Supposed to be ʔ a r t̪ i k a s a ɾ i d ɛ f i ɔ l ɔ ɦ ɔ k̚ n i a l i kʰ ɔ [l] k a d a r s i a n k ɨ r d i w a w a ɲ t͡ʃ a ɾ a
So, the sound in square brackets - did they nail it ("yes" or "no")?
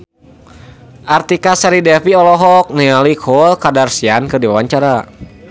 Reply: yes